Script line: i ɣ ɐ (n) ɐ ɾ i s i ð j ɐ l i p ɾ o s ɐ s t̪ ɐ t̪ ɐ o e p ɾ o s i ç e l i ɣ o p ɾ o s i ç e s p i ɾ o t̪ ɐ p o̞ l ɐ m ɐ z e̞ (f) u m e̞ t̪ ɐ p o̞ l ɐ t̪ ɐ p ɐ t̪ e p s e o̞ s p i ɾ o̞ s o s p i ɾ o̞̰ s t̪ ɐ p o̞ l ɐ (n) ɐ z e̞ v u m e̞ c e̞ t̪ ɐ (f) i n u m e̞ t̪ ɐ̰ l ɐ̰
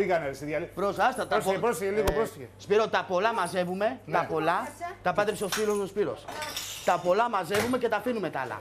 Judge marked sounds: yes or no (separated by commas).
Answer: yes, no, no, yes